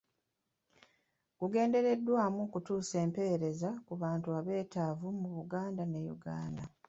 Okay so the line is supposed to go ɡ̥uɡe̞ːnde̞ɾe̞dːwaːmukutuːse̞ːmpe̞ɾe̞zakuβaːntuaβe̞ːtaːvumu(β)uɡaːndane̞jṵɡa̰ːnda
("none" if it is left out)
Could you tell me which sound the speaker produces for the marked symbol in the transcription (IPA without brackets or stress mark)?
β